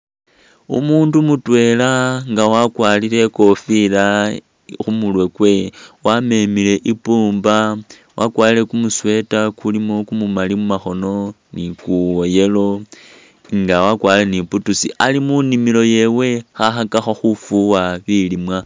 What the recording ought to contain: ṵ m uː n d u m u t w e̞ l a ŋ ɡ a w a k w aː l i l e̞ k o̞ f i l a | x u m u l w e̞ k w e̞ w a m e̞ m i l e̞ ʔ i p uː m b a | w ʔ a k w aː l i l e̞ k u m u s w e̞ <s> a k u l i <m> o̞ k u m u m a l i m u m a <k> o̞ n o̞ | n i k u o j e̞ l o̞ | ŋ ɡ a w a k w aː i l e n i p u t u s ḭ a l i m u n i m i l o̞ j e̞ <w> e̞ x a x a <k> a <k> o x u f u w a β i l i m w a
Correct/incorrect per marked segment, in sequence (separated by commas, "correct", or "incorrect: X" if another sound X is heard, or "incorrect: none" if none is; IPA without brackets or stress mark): incorrect: t, correct, incorrect: x, correct, correct, incorrect: x